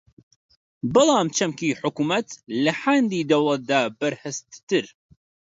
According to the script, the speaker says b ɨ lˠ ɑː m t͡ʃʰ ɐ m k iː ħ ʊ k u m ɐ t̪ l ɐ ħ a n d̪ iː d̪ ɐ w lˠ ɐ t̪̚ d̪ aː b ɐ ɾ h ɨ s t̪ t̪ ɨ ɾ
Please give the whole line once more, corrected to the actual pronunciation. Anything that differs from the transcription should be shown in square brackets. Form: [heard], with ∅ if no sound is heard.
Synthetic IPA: b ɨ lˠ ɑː m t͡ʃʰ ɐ m k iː ħ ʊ k u m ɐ t̪ l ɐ ħ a n d̪ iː d̪ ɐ w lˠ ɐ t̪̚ d̪ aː b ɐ ɾ h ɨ s t̪ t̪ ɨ ɾ